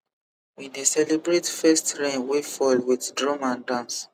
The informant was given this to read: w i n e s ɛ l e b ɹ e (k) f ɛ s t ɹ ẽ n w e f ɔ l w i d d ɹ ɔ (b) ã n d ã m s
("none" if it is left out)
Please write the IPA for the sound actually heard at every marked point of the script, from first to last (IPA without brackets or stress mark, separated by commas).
t, m